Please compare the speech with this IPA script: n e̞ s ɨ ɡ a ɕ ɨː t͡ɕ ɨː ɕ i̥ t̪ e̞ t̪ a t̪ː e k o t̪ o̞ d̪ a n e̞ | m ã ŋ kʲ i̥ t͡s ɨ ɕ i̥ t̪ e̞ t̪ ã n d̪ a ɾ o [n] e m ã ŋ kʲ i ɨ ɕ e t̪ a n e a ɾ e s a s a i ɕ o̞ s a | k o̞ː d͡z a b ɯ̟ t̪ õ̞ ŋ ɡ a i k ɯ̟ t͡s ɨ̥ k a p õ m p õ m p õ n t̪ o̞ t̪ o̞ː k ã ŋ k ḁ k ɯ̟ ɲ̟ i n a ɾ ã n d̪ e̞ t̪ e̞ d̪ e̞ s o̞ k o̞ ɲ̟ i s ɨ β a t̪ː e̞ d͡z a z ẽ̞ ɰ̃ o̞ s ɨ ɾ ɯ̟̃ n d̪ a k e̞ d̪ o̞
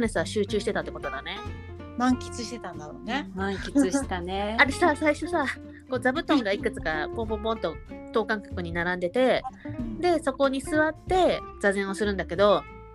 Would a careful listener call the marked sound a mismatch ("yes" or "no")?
no